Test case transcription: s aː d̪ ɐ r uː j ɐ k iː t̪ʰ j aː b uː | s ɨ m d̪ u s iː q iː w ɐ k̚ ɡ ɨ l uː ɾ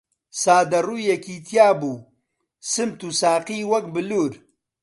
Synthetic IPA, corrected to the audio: s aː d̪ ɐ r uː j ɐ k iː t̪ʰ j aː b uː | s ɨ m t̪ u s aː q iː w ɐ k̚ b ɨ l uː ɾ